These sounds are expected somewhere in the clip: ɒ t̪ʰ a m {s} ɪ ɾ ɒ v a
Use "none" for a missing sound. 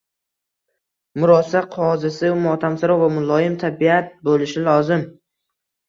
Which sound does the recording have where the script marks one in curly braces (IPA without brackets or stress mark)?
s